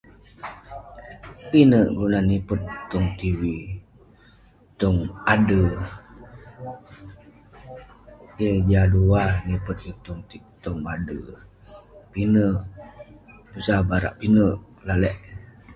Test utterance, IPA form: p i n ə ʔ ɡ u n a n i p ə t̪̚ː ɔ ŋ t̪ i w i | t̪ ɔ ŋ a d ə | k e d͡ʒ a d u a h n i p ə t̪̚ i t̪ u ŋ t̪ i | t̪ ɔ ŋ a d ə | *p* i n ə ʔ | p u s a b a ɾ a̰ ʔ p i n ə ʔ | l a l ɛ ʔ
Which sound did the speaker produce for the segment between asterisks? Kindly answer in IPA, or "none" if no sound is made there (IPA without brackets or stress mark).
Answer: p